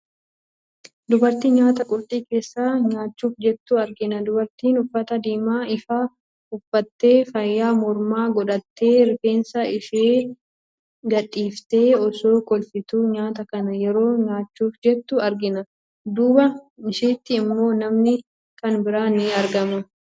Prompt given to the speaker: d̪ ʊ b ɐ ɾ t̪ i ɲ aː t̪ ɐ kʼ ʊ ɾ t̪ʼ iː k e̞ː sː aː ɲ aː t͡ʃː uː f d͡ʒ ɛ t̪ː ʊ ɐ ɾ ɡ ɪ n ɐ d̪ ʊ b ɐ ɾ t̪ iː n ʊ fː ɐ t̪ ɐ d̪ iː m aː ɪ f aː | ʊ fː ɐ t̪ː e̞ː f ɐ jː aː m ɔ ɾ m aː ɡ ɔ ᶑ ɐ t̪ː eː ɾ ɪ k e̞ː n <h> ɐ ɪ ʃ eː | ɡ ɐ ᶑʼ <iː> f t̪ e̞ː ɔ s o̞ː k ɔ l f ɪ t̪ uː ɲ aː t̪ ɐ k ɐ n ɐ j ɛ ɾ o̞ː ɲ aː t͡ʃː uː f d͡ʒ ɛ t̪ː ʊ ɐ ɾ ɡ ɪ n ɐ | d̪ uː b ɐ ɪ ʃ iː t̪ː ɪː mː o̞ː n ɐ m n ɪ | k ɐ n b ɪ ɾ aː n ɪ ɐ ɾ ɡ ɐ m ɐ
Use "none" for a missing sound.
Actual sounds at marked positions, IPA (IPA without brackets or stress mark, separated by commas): s, iː